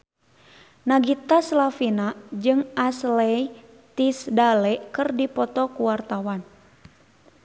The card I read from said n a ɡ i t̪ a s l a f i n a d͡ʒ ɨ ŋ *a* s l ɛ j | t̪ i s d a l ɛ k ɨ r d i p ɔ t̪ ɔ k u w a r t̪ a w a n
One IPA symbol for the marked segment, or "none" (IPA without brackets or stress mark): a